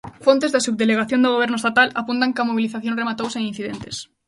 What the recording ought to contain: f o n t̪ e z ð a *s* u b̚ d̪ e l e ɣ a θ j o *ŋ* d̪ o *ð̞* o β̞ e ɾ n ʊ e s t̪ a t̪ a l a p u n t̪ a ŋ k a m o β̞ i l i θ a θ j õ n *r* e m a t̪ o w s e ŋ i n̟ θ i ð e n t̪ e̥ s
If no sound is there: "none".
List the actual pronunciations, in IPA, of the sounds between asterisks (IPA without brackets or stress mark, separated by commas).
s, n, ɣ̞, r